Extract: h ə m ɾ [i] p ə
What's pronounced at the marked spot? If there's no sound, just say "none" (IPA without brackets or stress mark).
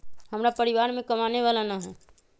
a